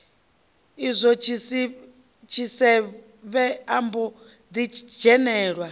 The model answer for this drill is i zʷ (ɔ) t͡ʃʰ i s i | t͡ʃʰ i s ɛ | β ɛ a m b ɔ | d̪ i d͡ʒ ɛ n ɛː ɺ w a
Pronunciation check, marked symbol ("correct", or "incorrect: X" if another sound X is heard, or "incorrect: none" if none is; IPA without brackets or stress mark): correct